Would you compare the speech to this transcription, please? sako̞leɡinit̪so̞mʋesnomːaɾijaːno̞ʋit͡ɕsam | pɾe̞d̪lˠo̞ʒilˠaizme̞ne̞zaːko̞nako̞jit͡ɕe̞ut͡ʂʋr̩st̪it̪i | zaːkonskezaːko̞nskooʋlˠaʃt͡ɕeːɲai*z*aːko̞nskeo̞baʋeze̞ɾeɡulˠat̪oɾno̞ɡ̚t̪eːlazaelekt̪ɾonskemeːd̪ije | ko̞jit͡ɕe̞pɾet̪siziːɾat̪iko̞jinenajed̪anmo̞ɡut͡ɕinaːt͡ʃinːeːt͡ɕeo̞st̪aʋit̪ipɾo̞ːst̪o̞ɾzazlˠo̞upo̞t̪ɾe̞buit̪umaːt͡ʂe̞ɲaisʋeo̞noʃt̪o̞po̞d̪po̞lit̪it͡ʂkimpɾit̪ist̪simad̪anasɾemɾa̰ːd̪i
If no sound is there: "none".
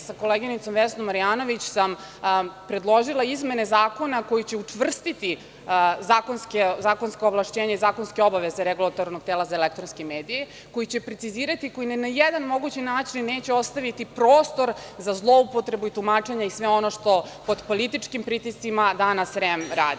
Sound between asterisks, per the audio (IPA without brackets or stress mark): z